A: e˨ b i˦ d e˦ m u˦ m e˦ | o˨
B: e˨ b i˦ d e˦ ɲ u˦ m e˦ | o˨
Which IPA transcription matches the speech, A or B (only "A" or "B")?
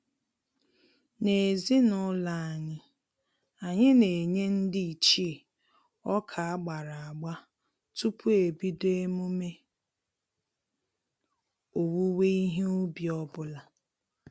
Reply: A